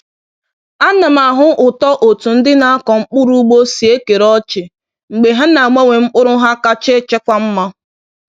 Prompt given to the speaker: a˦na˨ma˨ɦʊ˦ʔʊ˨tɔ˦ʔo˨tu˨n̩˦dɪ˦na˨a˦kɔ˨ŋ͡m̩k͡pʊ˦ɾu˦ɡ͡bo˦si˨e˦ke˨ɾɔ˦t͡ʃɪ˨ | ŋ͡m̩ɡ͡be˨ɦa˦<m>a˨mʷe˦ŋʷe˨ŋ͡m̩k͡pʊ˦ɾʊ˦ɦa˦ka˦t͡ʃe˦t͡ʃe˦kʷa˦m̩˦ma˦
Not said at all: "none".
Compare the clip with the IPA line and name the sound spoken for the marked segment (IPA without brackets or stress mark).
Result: n